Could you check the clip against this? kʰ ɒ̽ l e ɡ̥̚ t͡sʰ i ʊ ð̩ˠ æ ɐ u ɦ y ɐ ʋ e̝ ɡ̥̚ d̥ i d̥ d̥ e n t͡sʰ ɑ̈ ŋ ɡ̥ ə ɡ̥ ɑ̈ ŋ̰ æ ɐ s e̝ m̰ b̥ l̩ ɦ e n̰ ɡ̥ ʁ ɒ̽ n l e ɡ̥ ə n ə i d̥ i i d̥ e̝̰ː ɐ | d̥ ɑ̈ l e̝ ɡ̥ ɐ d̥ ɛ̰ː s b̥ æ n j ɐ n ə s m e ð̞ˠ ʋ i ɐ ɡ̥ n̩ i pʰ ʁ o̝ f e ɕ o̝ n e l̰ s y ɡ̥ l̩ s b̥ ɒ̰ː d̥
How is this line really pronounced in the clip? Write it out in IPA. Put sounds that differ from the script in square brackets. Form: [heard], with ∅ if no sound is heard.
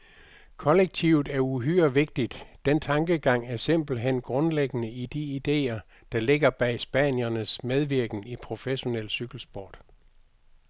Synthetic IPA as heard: kʰ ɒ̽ l e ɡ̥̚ t͡sʰ i ʊ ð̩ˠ æ ɐ u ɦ y ɐ ʋ e̝ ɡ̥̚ d̥ i d̥ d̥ e n t͡sʰ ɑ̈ ŋ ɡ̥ ə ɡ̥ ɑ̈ ŋ̰ æ ɐ s e̝ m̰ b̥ l̩ ɦ e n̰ ɡ̥ ʁ [ɔ̽] n l e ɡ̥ ə n ə i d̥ i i d̥ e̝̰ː ɐ | d̥ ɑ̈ l e̝ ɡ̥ ɐ [b̥] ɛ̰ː s b̥ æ n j ɐ n ə s m e ð̞ˠ ʋ i ɐ ɡ̥ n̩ i pʰ ʁ o̝ f e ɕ o̝ n e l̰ s y ɡ̥ l̩ s b̥ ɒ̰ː d̥